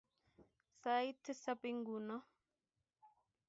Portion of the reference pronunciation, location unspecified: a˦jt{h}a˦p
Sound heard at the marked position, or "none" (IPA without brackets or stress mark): s